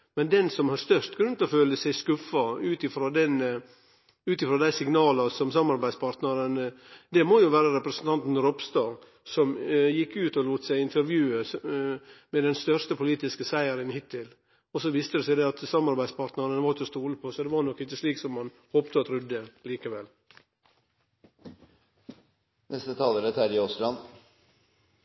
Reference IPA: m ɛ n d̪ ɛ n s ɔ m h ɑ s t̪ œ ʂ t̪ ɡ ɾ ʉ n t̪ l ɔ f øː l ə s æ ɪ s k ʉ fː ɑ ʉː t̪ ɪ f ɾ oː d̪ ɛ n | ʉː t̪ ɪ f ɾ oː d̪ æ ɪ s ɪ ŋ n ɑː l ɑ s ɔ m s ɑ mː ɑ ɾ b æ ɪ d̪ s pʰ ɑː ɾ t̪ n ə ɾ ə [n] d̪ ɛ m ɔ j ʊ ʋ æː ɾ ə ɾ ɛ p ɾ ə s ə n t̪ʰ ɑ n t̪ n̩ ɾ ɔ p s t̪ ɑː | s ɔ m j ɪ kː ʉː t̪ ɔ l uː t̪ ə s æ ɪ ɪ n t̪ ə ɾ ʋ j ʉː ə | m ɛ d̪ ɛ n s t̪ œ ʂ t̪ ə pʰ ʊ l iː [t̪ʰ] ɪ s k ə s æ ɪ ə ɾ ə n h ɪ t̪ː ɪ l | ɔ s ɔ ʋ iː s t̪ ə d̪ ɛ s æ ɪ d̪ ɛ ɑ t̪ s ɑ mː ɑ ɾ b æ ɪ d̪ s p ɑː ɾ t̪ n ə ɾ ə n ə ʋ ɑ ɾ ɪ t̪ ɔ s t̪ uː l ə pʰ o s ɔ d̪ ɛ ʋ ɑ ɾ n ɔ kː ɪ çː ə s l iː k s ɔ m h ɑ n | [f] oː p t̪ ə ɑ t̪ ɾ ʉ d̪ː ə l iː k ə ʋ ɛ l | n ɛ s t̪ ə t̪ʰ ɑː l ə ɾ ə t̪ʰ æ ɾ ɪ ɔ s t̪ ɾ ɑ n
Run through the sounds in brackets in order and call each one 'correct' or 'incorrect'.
correct, incorrect, incorrect

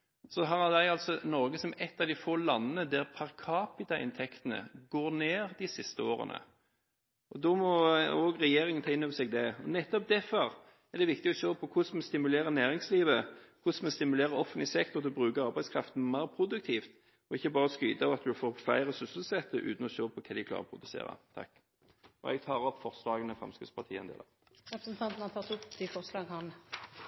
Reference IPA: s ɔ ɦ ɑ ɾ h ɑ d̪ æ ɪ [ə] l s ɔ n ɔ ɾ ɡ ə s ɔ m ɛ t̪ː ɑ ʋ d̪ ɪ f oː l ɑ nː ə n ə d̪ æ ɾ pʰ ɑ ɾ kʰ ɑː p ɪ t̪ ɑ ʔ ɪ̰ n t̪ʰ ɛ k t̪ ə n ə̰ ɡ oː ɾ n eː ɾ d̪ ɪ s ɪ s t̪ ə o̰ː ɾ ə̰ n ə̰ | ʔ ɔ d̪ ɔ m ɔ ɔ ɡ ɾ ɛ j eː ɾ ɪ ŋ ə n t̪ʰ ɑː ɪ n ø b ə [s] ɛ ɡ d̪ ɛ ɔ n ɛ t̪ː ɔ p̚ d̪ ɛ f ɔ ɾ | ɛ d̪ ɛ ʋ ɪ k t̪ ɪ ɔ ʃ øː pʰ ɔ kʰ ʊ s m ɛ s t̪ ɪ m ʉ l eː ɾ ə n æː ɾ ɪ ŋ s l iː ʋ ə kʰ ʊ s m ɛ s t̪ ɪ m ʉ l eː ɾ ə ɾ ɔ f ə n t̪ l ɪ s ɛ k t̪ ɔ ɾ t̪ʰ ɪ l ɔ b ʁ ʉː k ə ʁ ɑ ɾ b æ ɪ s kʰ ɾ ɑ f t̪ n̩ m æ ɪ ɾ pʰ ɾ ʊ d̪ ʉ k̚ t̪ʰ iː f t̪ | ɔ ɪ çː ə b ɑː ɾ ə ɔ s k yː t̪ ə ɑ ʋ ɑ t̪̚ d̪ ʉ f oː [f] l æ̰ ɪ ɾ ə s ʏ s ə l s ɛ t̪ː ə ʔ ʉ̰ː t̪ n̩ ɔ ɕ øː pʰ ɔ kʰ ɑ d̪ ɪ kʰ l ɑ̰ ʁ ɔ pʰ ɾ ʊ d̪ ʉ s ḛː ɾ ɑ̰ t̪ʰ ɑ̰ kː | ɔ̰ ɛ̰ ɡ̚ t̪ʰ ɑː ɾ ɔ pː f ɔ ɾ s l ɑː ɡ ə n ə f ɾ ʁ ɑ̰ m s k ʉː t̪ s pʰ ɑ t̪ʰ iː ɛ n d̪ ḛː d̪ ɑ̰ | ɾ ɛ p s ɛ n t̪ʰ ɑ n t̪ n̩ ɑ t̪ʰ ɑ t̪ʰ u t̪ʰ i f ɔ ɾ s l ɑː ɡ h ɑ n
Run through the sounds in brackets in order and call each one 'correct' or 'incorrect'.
incorrect, correct, correct

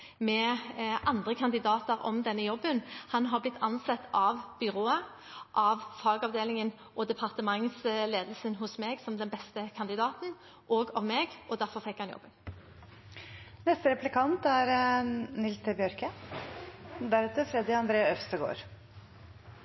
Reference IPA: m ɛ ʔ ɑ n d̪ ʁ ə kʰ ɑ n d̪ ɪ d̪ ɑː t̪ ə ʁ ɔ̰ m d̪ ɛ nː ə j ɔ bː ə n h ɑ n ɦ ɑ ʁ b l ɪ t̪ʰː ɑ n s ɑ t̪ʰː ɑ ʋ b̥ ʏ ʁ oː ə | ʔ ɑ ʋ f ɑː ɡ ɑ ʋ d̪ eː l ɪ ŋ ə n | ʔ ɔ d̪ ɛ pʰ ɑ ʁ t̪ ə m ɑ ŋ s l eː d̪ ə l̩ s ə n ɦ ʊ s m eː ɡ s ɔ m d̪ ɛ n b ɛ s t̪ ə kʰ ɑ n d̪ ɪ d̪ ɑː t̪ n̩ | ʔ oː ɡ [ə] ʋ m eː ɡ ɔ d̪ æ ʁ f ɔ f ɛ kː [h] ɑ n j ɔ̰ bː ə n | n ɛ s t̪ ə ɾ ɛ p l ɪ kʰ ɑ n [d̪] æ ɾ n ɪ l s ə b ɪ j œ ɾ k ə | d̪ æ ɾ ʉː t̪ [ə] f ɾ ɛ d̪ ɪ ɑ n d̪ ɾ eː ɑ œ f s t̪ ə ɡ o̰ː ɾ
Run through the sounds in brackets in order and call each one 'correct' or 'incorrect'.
incorrect, correct, incorrect, correct

